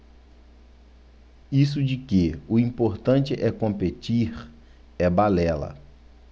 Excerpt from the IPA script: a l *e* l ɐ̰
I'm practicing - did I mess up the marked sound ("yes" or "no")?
yes